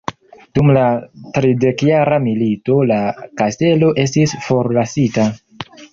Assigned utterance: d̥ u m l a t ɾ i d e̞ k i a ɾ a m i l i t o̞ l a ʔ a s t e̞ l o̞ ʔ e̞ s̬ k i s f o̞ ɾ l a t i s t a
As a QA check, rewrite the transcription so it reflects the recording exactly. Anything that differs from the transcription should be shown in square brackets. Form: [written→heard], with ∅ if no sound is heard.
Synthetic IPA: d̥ u m l a t ɾ i d e̞ k [i→j] a ɾ a m i l i t o̞ l a [ʔ→k] a s t e̞ l o̞ ʔ e̞ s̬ [k→t] i s f o̞ ɾ l a [t→s] i [s→∅] t a